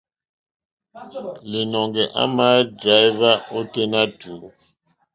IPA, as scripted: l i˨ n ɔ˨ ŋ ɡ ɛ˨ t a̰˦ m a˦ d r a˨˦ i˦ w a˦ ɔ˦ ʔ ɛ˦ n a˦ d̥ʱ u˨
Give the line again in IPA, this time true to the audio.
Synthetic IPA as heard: l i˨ n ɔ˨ ŋ ɡ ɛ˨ ʔ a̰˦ m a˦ d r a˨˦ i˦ v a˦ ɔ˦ t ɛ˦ n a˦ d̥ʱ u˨